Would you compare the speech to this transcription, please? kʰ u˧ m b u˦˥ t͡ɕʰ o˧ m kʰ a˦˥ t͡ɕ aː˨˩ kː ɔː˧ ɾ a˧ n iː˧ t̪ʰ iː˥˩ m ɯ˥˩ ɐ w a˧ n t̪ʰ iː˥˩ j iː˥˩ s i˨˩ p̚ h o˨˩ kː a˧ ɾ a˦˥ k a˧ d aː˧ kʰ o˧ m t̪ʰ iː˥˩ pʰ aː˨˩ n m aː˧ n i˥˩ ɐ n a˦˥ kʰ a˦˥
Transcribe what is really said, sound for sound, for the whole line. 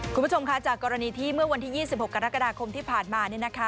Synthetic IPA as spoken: kʰ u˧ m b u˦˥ t͡ɕʰ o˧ m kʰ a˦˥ t͡ɕ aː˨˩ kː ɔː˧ ɾ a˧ n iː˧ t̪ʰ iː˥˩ m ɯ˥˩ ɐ w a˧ n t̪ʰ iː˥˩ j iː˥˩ s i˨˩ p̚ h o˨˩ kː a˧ ɾ a˦˥ k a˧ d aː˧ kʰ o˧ m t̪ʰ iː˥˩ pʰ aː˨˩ n m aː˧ n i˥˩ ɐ n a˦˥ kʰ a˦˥

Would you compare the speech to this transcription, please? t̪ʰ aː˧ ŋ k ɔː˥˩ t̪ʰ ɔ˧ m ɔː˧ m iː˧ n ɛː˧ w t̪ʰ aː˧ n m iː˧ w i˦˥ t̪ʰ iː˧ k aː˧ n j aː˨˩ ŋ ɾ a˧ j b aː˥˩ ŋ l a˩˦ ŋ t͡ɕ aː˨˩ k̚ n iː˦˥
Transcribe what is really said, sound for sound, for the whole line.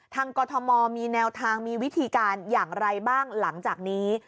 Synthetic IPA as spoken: t̪ʰ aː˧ ŋ k ɔː˧ t̪ʰ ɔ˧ m ɔː˧ m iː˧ n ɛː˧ w t̪ʰ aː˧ ŋ m iː˧ w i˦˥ t̪ʰ iː˧ k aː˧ n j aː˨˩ ŋ ɾ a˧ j b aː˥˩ ŋ l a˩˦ ŋ t͡ɕ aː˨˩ k̚ n iː˦˥

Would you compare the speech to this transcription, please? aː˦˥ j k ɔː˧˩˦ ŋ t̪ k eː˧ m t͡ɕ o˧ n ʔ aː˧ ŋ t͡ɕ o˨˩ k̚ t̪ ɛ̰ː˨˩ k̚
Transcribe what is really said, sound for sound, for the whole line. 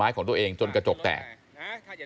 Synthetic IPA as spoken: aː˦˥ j k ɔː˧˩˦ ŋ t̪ ʔ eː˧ ŋ t͡ɕ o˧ n k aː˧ t͡ɕ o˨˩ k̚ t̪ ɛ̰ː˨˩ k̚

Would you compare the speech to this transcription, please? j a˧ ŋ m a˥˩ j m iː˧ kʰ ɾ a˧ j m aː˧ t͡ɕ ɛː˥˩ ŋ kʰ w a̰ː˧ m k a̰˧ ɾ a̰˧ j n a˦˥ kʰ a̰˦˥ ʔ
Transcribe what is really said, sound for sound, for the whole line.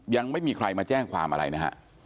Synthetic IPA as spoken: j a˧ ŋ m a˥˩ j m iː˧ kʰ ɾ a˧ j m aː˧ t͡ɕ ɛː˥˩ ŋ kʰ w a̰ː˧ m ʔ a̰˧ ɾ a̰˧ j n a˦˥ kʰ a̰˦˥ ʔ

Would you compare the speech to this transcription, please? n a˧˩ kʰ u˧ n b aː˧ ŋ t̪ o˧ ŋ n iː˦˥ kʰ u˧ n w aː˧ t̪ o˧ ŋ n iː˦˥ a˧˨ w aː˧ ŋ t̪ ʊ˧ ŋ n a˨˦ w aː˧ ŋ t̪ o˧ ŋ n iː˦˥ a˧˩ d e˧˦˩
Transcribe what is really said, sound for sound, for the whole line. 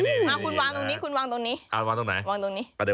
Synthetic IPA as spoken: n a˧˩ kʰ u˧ n w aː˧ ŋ t̪ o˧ ŋ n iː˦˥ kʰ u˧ n w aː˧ t̪ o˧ ŋ n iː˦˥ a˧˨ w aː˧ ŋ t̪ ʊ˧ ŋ n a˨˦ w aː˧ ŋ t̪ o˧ ŋ n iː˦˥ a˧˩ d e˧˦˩

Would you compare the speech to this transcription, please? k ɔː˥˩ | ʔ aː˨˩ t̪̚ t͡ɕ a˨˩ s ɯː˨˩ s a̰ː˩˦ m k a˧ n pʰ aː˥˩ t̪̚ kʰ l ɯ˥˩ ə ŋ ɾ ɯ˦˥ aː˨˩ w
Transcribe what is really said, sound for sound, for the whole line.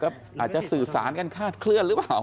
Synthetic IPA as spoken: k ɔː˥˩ | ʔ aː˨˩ t̪̚ t͡ɕ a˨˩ s ɯː˨˩ s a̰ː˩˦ n k a˧ n kʰ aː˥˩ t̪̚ kʰ l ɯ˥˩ ə n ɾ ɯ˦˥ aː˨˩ w

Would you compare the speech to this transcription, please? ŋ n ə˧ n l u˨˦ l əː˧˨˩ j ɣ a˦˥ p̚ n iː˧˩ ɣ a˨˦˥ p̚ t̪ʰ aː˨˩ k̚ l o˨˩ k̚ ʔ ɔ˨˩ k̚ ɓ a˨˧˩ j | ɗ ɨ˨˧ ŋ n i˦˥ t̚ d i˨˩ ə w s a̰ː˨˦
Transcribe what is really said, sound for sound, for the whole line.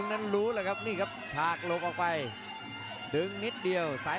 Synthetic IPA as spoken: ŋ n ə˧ n l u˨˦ l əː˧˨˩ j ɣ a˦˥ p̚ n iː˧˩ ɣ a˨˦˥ p̚ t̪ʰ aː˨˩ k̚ l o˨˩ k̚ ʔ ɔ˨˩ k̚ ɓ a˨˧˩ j | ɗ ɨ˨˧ ŋ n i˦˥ t̚ ɗ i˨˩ ə w s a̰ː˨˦

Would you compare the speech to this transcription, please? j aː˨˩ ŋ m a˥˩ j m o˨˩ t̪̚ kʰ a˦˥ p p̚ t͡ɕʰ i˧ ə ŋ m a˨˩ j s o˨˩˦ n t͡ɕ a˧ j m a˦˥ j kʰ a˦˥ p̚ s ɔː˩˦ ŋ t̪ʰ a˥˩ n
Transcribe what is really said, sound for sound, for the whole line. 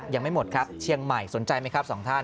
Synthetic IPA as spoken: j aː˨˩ ŋ m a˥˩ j m o˨˩ t̪̚ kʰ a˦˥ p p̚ t͡ɕʰ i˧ ə ŋ m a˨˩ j s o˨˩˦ n t͡ɕ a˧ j m a˦˥ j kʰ a˦˥ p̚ s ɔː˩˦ ŋ t̪ʰ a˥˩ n

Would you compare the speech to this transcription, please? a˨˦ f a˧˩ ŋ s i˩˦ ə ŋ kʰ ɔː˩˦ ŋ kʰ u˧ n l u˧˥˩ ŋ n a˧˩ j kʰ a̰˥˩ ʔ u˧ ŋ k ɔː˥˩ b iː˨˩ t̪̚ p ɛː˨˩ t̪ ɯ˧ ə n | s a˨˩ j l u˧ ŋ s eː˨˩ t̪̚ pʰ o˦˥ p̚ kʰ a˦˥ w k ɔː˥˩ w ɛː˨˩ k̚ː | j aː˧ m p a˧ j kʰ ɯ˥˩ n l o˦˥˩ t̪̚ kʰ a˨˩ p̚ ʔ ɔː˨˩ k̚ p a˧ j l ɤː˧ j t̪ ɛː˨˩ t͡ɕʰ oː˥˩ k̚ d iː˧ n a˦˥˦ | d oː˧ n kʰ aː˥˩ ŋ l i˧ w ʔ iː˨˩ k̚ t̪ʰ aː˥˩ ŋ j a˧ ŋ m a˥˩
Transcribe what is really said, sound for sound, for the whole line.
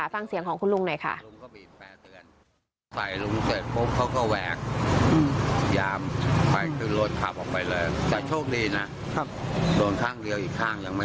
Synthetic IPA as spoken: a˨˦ f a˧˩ ŋ s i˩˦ ə ŋ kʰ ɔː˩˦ ŋ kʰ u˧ n l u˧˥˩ ŋ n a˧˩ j kʰ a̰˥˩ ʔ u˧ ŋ k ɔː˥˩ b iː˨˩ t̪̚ p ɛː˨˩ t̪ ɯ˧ ə n | s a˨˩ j l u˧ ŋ s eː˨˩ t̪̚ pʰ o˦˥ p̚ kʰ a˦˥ w k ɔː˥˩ w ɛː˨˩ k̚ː | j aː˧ m p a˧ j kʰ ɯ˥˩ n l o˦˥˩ t̪̚ kʰ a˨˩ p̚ ʔ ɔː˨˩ k̚ p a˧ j l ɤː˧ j t̪ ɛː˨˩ t͡ɕʰ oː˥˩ k̚ d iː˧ n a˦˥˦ | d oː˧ n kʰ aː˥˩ ŋ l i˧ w ʔ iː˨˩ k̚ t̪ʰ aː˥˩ ŋ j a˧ ŋ m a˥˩

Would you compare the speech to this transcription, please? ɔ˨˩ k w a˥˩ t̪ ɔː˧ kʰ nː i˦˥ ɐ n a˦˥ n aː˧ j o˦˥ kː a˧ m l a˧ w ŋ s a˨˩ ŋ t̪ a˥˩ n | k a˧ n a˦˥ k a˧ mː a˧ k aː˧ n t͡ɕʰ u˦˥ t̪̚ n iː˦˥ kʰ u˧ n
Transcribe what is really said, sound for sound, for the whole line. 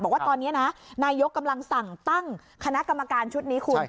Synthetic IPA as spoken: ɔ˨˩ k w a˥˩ t̪ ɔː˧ nː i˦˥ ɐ n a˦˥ n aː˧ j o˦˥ kː a˧ m l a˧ ŋ s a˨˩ ŋ t̪ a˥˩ ŋ | kʰ a˧ n a˦˥ k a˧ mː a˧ k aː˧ n t͡ɕʰ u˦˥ t̪̚ n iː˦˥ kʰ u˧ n

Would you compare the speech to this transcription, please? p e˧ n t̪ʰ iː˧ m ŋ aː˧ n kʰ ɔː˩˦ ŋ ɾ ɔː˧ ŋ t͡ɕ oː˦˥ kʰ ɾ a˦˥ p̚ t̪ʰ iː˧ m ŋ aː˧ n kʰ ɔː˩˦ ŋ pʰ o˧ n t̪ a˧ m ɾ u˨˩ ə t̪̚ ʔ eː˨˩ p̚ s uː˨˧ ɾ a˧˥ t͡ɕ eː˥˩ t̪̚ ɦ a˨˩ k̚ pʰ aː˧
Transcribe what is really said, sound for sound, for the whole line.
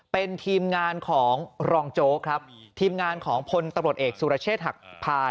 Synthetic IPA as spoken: p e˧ n t̪ʰ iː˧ m ŋ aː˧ n kʰ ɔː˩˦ ŋ ɾ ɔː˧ ŋ t͡ɕ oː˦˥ kʰ ɾ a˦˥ p̚ t̪ʰ iː˧ m ŋ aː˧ n kʰ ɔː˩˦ ŋ pʰ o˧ n t̪ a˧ m ɾ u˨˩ ə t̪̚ ʔ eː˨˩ k̚ s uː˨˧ ɾ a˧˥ t͡ɕʰ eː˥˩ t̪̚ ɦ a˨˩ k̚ pʰ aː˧

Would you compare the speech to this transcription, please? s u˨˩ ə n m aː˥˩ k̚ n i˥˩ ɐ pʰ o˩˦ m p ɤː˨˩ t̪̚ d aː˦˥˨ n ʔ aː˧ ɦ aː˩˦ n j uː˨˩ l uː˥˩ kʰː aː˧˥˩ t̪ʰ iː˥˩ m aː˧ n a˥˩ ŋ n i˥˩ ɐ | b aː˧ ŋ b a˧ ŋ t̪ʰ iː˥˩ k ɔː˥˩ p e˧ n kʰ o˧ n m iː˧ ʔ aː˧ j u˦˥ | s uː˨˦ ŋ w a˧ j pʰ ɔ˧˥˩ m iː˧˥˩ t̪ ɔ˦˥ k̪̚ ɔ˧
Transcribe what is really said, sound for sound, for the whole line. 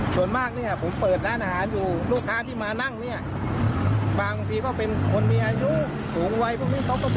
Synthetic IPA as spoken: s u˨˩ ə n m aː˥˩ k̚ n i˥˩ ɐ pʰ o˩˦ m p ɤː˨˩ t̪̚ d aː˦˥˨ n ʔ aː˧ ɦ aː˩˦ n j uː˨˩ l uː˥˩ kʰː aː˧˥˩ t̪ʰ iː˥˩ m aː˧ n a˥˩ ŋ n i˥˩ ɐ | b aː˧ ŋ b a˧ ŋ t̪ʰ iː˧ k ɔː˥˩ p e˧ n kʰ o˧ n m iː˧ ʔ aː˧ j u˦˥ | s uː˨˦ ŋ w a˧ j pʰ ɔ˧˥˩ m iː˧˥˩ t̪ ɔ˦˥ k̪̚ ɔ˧

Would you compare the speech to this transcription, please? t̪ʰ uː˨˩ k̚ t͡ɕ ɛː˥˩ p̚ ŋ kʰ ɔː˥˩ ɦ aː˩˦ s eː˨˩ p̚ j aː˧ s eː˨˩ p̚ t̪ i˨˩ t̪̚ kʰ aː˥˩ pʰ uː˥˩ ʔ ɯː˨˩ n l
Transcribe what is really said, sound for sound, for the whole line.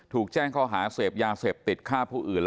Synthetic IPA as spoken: t̪ʰ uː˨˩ k̚ t͡ɕ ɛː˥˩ ŋ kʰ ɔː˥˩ ɦ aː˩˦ s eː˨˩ p̚ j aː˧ s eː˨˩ p̚ t̪ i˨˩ t̪̚ kʰ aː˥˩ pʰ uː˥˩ ʔ ɯː˨˩ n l

